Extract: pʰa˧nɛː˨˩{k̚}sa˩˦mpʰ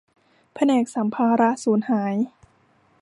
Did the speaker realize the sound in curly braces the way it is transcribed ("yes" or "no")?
yes